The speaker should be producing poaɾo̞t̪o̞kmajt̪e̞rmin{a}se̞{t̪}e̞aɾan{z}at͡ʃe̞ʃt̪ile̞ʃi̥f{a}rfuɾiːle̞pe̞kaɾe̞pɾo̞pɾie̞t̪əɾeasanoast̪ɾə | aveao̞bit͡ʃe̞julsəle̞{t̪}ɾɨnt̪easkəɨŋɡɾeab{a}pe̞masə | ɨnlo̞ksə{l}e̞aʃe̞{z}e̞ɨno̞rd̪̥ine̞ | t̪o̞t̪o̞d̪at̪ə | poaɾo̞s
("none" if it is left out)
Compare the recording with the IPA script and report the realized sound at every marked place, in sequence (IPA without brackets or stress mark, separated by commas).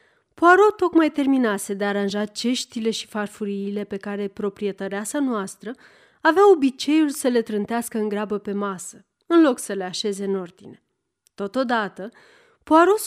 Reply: a, d̪, ʒ, a, t̪, ə, l, z